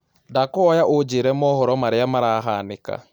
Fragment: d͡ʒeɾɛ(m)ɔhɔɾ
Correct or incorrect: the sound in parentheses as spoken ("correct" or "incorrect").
correct